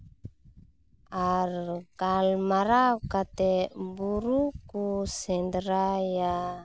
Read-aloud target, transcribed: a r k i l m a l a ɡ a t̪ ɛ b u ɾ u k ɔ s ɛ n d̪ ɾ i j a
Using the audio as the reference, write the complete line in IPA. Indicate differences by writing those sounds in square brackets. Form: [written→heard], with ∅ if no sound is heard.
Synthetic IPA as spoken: a r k [i→a] l m a [l→ɾ] a [ɡ→k] a t̪ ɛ b u ɾ u k [ɔ→u] s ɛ n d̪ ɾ [i→a] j a